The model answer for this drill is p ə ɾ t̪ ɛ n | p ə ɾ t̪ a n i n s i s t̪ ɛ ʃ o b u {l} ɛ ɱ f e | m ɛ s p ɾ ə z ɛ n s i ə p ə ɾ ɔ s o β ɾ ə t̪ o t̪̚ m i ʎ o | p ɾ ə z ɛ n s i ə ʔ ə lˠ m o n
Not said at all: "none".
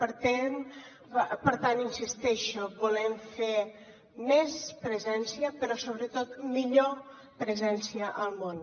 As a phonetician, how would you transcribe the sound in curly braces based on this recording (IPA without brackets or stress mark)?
l